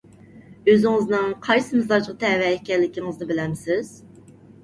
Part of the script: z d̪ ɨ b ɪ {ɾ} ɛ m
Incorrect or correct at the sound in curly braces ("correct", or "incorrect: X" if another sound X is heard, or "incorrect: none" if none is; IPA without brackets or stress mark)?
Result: incorrect: l